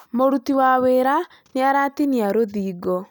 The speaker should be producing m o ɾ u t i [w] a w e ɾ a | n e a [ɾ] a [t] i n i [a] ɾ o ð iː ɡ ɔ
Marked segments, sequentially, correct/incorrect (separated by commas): correct, correct, correct, correct